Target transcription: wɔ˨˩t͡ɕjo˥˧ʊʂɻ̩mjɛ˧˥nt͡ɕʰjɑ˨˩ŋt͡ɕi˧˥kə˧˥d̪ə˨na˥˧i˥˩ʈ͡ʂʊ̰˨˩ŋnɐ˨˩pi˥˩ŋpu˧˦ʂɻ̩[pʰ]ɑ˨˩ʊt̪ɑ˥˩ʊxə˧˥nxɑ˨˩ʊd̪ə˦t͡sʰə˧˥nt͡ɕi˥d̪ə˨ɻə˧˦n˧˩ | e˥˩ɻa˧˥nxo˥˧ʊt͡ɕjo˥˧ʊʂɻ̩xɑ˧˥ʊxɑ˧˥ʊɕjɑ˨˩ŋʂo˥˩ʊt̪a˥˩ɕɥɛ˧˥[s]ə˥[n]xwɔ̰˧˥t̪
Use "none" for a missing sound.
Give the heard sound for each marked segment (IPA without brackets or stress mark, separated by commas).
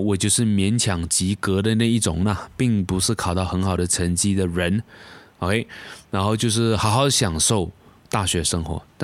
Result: kʰ, ʂ, ŋ